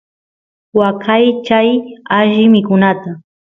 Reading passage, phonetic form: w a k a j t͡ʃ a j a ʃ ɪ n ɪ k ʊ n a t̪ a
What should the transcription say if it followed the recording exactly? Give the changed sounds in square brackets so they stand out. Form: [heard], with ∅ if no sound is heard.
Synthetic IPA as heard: w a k a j t͡ʃ a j a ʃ ɪ [m] ɪ k ʊ n a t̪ a